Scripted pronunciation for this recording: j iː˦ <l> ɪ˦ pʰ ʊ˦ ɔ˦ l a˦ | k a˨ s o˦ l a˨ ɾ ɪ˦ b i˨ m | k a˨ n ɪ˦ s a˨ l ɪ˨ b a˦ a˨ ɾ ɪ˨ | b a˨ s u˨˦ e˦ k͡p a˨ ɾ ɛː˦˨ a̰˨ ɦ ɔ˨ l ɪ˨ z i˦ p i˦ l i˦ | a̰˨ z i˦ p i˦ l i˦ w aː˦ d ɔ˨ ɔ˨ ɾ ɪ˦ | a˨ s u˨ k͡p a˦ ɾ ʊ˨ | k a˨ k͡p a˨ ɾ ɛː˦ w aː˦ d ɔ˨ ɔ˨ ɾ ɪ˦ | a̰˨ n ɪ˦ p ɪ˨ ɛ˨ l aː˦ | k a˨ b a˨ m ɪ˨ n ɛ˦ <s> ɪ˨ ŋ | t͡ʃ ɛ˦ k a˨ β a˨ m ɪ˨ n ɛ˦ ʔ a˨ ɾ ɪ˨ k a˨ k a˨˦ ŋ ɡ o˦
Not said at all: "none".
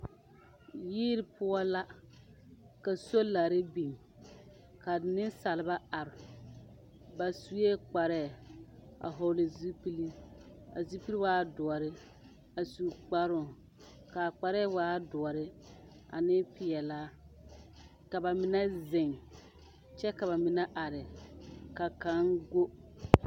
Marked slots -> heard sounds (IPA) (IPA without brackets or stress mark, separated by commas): ɾ, z